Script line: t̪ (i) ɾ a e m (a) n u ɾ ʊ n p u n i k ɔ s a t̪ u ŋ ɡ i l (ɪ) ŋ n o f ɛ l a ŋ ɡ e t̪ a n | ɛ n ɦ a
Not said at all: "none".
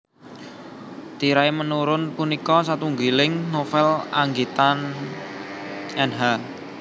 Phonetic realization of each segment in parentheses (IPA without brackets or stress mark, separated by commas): i, ə, ɪ